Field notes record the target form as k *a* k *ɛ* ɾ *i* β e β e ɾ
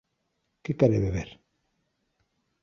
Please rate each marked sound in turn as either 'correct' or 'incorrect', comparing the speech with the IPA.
incorrect: e, incorrect: a, incorrect: e

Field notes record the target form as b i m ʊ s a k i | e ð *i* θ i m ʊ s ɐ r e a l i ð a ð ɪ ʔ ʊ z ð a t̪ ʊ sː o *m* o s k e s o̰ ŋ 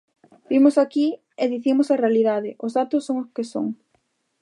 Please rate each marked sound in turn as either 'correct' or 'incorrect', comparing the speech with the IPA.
correct, incorrect: ŋ

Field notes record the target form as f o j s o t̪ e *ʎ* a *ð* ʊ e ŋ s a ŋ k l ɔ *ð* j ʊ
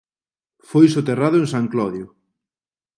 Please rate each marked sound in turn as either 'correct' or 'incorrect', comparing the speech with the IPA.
incorrect: r, correct, correct

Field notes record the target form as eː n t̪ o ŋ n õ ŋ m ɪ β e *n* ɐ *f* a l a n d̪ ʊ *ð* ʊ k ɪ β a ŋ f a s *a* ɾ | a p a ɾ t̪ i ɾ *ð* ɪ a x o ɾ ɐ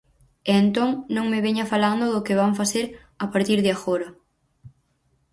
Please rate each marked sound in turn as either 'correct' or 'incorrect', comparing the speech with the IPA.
incorrect: ɲ, correct, correct, incorrect: e, correct

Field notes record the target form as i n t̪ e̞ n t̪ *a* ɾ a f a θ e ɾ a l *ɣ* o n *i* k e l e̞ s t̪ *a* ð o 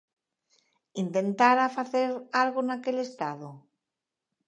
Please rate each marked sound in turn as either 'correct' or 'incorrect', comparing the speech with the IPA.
correct, correct, incorrect: a, correct

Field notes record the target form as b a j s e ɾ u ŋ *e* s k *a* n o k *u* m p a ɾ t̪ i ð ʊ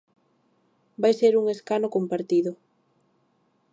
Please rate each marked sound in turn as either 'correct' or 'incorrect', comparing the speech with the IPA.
correct, correct, incorrect: o

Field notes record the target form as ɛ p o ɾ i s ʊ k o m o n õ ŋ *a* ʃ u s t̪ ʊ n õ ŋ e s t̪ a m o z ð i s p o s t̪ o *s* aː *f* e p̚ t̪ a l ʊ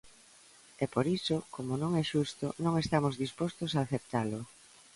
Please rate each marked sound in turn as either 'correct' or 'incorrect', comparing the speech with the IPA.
incorrect: ɛ, correct, incorrect: θ

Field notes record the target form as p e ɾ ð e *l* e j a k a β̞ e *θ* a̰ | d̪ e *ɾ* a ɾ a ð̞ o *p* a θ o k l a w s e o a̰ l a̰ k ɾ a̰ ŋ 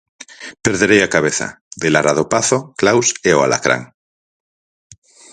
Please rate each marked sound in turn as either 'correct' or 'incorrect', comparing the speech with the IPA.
incorrect: ɾ, correct, incorrect: l, correct

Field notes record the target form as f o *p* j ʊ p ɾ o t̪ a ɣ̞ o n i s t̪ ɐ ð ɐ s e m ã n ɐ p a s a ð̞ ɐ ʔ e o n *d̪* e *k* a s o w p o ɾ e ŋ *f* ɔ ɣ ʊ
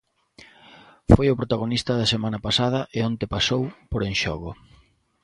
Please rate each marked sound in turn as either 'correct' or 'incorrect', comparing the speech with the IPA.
incorrect: none, incorrect: t̪, incorrect: p, incorrect: ʃ

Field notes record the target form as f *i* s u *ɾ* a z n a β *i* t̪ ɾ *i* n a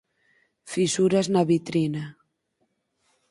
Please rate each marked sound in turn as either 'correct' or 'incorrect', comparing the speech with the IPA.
correct, correct, correct, correct

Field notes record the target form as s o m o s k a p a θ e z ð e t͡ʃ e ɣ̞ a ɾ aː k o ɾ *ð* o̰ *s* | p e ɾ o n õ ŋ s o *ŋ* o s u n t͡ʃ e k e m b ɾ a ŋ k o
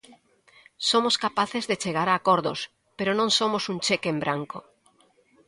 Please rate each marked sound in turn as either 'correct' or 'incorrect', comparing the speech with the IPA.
correct, correct, incorrect: m

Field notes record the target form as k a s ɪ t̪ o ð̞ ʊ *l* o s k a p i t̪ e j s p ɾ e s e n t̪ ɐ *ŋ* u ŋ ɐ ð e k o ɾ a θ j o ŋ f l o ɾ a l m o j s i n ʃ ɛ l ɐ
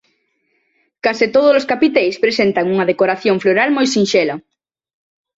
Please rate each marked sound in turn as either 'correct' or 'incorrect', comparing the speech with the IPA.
correct, correct

